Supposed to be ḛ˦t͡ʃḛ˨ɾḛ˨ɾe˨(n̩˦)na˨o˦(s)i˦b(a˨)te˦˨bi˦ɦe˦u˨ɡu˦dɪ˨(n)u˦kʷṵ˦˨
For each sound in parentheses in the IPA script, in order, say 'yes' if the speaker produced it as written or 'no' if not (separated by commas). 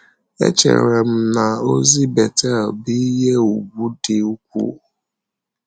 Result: no, no, no, no